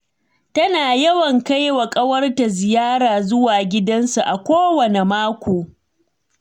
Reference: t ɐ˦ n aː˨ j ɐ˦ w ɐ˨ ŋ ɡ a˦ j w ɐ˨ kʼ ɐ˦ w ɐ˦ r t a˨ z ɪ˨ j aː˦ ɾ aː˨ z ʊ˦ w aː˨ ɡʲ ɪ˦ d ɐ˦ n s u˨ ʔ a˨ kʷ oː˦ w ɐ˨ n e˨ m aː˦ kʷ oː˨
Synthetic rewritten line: t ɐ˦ n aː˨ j ɐ˦ w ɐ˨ ŋ k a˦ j w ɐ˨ kʼ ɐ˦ w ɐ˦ r t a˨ z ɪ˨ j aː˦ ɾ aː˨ z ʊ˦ w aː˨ ɡʲ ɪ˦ d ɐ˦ n s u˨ ʔ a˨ kʷ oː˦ w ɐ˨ n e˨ m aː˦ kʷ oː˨